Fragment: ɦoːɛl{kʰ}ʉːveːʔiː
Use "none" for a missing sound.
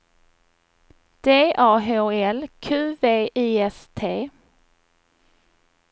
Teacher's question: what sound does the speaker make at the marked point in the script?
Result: kʰ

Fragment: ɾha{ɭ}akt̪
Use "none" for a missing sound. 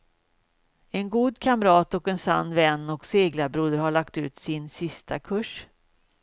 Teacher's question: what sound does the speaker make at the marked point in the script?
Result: ɭ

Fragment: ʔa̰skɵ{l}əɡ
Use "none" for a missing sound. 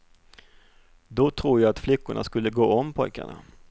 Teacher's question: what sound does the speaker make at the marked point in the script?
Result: lː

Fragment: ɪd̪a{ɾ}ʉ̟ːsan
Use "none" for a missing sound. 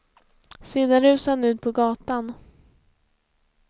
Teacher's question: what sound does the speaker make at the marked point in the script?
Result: ɾ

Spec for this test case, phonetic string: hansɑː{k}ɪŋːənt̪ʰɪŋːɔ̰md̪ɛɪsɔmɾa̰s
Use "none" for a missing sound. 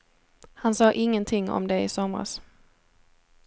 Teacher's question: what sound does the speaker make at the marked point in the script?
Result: ʔ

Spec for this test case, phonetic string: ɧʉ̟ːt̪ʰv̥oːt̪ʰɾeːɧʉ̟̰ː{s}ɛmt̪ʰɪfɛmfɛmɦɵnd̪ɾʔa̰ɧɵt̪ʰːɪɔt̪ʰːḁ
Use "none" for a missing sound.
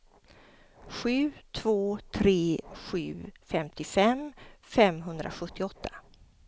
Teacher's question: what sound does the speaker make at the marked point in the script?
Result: f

